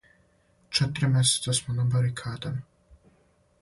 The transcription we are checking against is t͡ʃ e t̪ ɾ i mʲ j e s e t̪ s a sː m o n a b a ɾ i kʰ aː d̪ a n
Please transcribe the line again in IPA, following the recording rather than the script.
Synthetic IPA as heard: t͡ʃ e t̪ ɾ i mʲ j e s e t̪ s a s m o n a b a ɾ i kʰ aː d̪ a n